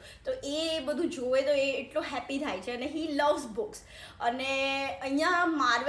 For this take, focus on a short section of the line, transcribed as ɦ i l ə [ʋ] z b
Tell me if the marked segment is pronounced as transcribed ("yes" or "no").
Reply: yes